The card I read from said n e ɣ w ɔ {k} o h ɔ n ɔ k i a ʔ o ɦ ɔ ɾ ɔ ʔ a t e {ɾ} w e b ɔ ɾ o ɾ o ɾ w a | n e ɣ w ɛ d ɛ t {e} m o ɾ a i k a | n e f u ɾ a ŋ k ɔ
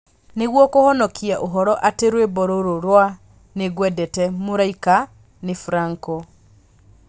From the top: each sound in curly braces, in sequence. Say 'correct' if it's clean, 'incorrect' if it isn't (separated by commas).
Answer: correct, correct, incorrect